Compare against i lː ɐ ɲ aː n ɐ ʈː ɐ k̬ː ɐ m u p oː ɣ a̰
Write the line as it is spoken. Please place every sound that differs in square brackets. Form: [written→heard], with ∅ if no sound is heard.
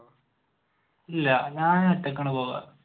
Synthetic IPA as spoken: i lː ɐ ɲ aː n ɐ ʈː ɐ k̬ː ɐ [m→ɳ] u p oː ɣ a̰

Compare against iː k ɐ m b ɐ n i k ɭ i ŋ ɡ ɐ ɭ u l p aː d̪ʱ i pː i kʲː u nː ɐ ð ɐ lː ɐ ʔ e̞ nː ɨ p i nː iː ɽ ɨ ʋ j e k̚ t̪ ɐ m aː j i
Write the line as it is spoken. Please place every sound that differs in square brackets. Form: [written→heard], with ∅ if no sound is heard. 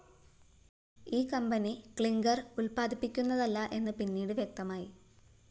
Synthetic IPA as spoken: iː k ɐ m b ɐ n i k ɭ i ŋ ɡ ɐ [ɭ→r] u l p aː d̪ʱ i pː i kʲː u nː ɐ ð ɐ lː ɐ ʔ e̞ nː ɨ p i nː iː ɽ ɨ ʋ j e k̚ t̪ ɐ m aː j i

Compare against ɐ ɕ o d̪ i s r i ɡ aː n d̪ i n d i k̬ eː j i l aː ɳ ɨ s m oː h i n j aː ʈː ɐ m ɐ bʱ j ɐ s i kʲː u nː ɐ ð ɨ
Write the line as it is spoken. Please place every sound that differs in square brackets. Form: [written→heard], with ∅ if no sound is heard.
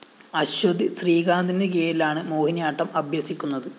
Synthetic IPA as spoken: ɐ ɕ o d̪ i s r [i→iː] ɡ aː n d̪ i n d [i→e] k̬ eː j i l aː ɳ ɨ [s→∅] m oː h i n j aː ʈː ɐ m ɐ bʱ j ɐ s i kʲː u nː ɐ ð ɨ

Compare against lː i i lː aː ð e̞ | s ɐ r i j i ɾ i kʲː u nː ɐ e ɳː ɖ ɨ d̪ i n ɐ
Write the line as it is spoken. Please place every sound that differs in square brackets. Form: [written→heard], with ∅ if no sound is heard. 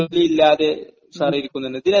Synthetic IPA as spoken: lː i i lː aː ð e̞ | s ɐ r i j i ɾ i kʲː u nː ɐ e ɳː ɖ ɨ d̪ i n ɐ

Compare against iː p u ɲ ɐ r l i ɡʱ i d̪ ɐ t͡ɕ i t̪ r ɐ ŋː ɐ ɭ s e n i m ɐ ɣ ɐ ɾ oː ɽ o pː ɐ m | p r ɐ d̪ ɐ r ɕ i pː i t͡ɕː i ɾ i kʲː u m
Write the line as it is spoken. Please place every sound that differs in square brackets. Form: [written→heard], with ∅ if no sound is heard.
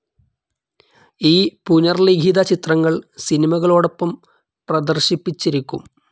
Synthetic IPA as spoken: iː p u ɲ ɐ r l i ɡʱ i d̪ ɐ t͡ɕ i t̪ r ɐ ŋː ɐ ɭ s [e→i] n i m ɐ ɣ ɐ [ɾ→ɭ] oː ɽ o pː ɐ m | p r ɐ d̪ ɐ r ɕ i pː i t͡ɕː i ɾ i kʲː u m

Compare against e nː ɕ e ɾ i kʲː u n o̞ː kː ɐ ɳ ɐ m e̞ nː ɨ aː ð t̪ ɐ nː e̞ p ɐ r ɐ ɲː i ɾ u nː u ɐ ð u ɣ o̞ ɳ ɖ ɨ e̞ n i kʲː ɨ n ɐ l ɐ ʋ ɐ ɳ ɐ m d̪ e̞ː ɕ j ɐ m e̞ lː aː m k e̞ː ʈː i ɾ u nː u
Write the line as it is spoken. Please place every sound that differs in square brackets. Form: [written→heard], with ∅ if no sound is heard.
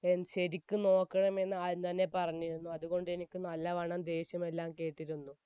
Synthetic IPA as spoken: e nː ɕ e ɾ i kʲː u n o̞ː kː ɐ ɳ ɐ m e̞ nː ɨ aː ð t̪ ɐ nː e̞ p ɐ r ɐ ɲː i ɾ u nː u ɐ ð u ɣ o̞ ɳ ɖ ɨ e̞ n i kʲː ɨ n ɐ [l→lː] ɐ ʋ ɐ ɳ ɐ m d̪ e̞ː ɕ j ɐ m e̞ lː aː m k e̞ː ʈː i ɾ u nː u

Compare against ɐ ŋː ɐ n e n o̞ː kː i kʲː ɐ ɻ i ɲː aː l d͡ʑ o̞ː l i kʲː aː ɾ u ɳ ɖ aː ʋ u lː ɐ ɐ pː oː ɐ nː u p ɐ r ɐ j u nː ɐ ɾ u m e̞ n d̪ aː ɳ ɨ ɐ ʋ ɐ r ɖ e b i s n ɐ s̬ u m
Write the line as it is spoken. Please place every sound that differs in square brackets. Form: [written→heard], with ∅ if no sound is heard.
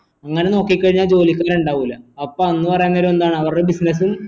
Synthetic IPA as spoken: ɐ ŋː ɐ n e n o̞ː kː i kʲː ɐ ɻ i ɲː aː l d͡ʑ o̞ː l i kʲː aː ɾ u ɳ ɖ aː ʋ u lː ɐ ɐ pː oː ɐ nː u p ɐ r ɐ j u nː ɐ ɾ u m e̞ n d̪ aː ɳ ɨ ɐ ʋ ɐ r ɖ e b i s n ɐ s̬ u m

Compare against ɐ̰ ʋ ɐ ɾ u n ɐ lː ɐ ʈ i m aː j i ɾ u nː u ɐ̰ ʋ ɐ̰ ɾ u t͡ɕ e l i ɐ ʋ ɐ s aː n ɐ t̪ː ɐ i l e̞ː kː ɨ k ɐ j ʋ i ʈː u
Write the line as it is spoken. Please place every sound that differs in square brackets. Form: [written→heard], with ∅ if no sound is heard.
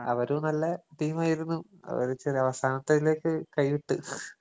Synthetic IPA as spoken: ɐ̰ ʋ ɐ ɾ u n ɐ lː ɐ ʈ [i→iː] m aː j i ɾ u nː u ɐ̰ ʋ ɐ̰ ɾ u t͡ɕ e [l→r] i ɐ ʋ ɐ s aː n ɐ t̪ː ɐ i l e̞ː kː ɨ k ɐ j ʋ i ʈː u

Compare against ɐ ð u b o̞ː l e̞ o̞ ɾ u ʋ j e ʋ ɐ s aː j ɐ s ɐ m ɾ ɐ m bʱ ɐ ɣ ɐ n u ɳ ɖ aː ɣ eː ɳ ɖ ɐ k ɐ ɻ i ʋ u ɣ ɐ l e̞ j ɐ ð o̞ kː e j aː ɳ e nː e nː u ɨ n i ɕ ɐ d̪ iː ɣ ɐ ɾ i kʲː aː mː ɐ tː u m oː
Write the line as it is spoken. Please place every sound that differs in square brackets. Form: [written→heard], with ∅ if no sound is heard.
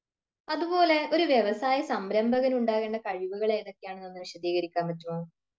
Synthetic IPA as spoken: ɐ ð u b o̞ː l e̞ o̞ ɾ u ʋ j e ʋ ɐ s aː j ɐ s ɐ m ɾ ɐ m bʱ ɐ ɣ ɐ n u ɳ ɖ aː ɣ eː ɳ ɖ ɐ k ɐ ɻ i ʋ u ɣ ɐ [l→ɭ] e̞ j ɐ ð o̞ kː e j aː ɳ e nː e nː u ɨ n i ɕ ɐ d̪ iː ɣ ɐ ɾ i kʲː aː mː ɐ tː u m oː

